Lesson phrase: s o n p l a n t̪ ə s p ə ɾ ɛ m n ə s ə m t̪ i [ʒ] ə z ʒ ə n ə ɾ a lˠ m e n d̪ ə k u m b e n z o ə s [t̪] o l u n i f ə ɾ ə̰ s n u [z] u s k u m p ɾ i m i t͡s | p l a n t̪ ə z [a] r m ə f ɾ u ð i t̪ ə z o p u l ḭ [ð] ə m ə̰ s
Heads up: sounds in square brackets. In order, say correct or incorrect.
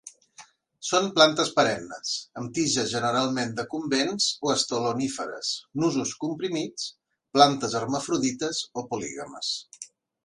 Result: correct, correct, correct, incorrect: ə, incorrect: ɣ

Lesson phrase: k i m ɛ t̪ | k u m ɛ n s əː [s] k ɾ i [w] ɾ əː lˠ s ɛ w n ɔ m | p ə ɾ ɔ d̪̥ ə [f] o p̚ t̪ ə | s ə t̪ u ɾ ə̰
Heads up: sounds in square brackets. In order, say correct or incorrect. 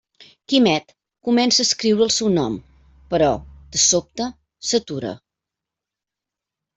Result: correct, correct, incorrect: s

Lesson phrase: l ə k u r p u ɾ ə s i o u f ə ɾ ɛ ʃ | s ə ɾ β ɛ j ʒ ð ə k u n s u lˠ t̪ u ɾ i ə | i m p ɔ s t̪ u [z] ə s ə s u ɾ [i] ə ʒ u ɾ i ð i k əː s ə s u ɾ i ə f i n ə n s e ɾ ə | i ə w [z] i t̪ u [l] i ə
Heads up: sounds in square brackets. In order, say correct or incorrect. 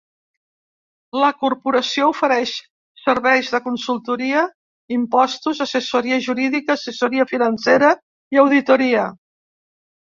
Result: correct, correct, incorrect: ð, incorrect: ɾ

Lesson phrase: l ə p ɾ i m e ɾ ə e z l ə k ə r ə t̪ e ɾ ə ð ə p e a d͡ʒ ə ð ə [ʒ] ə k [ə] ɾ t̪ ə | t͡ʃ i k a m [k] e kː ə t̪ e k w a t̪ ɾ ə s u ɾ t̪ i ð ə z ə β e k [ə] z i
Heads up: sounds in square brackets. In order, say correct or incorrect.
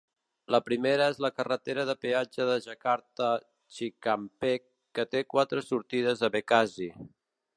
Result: correct, incorrect: a, incorrect: p, incorrect: a

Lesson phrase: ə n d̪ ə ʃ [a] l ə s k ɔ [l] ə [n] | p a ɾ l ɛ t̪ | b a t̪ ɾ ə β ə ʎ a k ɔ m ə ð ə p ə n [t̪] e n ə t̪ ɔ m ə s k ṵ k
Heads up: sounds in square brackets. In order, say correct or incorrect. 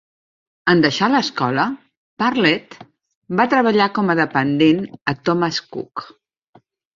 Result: correct, correct, incorrect: none, incorrect: d̪

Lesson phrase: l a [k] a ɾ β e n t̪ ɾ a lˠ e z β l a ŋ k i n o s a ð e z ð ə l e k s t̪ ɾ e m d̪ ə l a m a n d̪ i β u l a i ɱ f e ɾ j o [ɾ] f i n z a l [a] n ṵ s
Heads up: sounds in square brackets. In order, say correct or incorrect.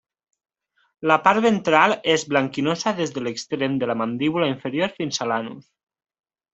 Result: incorrect: p, correct, correct

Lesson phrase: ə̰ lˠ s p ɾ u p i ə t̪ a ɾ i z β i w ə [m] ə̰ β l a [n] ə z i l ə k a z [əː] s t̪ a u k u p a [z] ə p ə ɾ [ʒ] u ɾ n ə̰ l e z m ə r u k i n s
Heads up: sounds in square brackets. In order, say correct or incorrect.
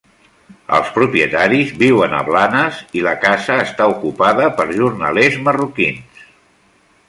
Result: incorrect: n, correct, correct, incorrect: ð, correct

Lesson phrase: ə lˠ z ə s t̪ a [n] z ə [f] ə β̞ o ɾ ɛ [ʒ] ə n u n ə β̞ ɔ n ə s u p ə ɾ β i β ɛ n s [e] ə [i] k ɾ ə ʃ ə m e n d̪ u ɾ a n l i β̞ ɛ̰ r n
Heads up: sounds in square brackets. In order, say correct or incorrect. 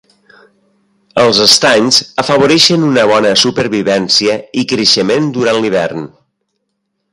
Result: incorrect: ɲ, correct, incorrect: ʃ, incorrect: i, correct

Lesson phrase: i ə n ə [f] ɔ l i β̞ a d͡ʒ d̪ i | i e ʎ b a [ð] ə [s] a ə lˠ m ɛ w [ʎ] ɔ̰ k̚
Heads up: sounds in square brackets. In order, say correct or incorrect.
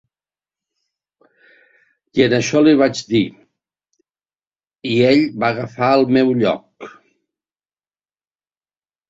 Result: incorrect: ʃ, incorrect: ɣ, incorrect: f, correct

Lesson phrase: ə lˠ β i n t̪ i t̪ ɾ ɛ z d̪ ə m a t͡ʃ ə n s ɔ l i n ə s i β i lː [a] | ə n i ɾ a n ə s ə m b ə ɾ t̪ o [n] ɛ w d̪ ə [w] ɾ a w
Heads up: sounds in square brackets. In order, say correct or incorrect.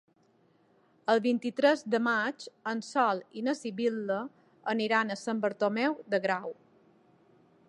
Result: incorrect: ə, incorrect: m, incorrect: ɣ

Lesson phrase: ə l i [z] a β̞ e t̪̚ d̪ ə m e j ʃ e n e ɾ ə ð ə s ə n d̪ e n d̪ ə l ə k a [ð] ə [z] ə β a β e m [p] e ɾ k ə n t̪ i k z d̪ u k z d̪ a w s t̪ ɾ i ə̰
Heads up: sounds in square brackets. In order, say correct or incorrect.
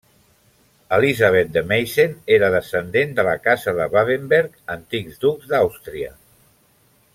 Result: correct, incorrect: z, incorrect: ð, incorrect: b

